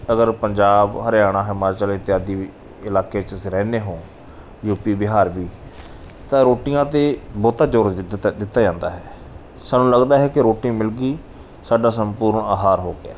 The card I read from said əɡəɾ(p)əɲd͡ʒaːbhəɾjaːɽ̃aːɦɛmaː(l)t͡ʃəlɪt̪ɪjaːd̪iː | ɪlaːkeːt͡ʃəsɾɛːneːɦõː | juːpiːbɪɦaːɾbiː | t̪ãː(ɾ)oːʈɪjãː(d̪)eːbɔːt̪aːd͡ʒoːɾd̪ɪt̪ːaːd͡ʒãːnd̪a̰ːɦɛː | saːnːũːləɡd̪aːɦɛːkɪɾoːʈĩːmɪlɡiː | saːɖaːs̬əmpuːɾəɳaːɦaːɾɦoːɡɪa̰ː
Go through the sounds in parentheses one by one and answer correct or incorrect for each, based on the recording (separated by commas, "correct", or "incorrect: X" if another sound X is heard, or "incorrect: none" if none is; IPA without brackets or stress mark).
correct, incorrect: ɾ, correct, incorrect: t̪